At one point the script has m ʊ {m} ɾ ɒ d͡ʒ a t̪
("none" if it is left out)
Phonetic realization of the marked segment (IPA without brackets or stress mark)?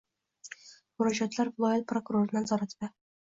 none